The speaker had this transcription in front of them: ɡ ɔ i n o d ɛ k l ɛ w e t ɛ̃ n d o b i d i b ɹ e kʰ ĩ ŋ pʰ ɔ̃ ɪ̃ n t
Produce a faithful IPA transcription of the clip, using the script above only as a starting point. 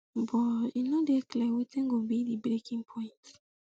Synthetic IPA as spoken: b ɔ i n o d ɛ k l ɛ w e t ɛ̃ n ɡ o b i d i b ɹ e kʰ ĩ ŋ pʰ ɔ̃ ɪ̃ n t